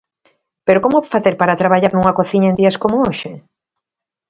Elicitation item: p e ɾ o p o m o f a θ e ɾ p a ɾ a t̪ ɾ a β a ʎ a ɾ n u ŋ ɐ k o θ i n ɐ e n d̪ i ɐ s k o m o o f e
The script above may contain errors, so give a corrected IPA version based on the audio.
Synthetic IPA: p e ɾ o k o m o f a θ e ɾ p a ɾ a t̪ ɾ a β a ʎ a ɾ n u ŋ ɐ k o θ i ɲ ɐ e n d̪ i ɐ s k o m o o ʃ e